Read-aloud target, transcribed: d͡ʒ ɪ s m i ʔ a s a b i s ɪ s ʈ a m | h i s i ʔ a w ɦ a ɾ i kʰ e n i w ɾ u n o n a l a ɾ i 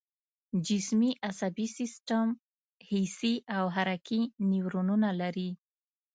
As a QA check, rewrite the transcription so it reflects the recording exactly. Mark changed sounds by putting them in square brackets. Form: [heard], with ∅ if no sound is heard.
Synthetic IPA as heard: d͡ʒ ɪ s m i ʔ a s a b i s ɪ s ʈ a m | h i s i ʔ a w ɦ a ɾ [a] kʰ [i] n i w ɾ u n [u] n a l a ɾ i